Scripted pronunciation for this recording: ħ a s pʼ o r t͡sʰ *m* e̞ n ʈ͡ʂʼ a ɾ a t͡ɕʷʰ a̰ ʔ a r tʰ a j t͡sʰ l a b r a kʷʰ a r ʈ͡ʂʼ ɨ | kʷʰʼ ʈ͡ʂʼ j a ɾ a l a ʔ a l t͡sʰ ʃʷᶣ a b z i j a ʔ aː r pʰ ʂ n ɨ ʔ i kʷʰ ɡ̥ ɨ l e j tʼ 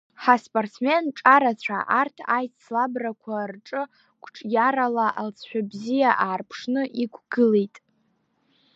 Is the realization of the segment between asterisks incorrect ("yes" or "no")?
no